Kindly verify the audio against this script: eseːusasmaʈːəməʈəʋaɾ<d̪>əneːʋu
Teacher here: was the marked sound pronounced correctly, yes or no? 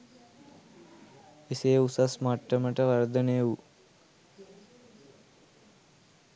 yes